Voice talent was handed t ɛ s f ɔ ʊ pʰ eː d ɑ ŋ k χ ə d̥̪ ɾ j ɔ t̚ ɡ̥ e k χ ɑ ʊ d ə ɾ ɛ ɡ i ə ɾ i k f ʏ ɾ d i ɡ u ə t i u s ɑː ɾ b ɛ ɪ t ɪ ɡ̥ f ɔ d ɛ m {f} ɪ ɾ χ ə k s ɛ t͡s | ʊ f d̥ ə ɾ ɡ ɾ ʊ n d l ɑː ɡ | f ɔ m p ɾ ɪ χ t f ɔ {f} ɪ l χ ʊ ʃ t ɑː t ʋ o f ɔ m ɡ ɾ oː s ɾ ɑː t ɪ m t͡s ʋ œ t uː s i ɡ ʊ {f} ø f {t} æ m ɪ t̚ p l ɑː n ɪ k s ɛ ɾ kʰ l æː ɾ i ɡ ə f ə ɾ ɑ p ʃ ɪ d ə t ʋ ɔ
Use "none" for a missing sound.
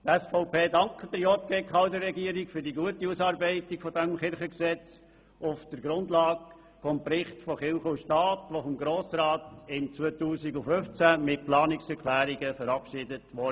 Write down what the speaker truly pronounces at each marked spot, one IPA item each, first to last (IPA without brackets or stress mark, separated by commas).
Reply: χ, χ, f, t͡s